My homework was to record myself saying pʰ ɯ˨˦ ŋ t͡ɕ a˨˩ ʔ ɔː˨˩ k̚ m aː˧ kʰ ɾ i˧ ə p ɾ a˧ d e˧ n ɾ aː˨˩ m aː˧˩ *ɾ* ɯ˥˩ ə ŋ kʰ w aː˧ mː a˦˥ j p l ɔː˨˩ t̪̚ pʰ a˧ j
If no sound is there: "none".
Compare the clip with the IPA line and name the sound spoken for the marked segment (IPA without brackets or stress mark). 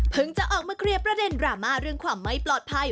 ɾ